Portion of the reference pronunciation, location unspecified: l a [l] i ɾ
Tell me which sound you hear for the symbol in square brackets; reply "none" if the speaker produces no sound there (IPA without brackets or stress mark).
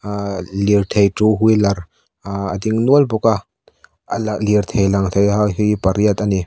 l